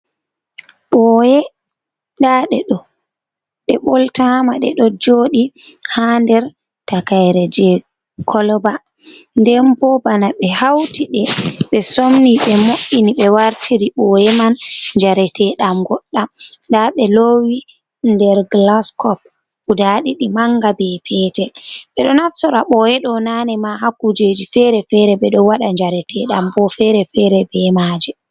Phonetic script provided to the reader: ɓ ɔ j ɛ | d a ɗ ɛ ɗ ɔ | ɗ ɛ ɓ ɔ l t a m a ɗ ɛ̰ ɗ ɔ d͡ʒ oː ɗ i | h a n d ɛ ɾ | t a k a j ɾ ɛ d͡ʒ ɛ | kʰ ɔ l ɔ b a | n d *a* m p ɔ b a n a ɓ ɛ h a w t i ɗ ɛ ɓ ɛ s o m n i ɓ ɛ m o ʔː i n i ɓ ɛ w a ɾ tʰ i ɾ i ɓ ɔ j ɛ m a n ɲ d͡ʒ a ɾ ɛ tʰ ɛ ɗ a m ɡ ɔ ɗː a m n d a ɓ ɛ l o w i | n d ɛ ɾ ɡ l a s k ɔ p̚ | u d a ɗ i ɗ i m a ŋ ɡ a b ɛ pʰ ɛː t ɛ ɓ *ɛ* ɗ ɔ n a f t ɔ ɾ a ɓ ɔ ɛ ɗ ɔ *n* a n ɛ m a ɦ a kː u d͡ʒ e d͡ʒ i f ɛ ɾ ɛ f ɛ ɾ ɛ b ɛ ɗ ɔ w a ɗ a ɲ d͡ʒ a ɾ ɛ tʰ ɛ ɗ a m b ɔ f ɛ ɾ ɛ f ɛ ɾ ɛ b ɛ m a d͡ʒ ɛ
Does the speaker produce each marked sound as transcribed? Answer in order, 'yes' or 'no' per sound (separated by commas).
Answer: no, yes, yes